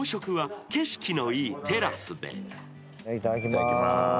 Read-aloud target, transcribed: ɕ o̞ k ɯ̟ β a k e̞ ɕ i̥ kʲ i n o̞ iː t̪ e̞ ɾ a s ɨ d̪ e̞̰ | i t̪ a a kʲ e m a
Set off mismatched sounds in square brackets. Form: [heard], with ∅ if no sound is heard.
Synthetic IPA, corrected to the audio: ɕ o̞ k ɯ̟ β a k e̞ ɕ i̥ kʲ i n o̞ iː t̪ e̞ ɾ a s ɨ d̪ e̞̰ | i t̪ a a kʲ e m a